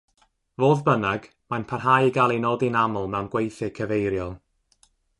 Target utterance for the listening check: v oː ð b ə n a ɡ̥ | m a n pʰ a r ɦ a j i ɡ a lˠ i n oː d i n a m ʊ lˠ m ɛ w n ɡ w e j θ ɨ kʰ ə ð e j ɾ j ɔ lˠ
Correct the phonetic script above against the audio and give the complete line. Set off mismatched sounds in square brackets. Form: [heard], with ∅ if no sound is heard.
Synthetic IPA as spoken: v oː ð b ə n a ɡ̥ | m a n pʰ a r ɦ a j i ɡ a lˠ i n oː d i n a m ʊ lˠ m ɛ w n ɡ w e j θ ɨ kʰ ə [v] e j ɾ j ɔ lˠ